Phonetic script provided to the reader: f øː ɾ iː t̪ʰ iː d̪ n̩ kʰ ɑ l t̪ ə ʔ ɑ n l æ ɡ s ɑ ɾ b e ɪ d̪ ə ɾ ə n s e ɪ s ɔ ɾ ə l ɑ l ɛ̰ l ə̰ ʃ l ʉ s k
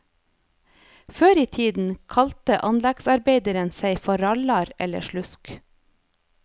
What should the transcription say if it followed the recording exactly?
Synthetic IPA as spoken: f øː ɾ iː t̪ʰ iː d̪ n̩ kʰ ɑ l t̪ ə ʔ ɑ n l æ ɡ s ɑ ɾ b e ɪ d̪ ə ɾ ə n s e ɪ f ɔ ɾ ɑ l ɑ ɾ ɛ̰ l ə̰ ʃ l ʉ s k